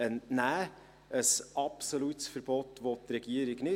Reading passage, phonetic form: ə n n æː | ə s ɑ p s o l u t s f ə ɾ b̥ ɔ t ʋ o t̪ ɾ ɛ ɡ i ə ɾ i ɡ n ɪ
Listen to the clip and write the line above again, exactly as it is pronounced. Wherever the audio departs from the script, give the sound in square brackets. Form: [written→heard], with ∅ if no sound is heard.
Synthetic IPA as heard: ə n n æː | ə s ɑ p s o l u t s f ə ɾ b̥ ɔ t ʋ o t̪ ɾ ɛ ɡ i ə ɾ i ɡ n ɪ

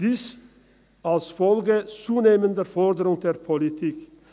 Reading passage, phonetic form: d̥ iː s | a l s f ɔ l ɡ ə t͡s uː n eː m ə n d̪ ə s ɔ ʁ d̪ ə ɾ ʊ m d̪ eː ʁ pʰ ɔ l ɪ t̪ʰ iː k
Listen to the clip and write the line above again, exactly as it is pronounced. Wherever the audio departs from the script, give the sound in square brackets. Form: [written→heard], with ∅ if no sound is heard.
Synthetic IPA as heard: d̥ iː s | a l s f ɔ l ɡ ə t͡s uː n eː m ə n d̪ ə [s→f] ɔ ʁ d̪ ə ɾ ʊ [m→ŋ] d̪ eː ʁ pʰ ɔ l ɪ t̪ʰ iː k

